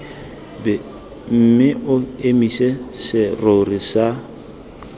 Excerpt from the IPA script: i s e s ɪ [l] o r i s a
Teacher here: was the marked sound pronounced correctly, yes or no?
no